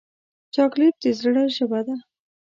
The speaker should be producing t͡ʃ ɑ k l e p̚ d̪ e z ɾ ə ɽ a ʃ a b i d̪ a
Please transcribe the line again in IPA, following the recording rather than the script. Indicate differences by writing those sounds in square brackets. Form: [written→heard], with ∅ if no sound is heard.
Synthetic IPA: t͡ʃ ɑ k l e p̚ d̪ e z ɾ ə ɽ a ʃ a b [i→a] d̪ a